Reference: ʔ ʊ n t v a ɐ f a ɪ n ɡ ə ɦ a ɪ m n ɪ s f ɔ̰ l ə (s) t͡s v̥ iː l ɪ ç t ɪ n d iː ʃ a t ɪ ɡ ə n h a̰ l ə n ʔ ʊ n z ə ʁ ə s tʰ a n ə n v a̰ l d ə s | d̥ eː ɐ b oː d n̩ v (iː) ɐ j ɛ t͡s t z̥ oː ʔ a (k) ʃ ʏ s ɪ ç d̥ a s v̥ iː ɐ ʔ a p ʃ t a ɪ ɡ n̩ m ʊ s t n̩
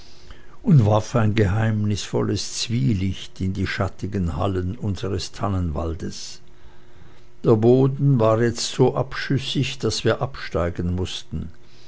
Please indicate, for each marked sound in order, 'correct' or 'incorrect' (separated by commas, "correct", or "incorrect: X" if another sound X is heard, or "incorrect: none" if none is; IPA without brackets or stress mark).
correct, incorrect: aː, incorrect: p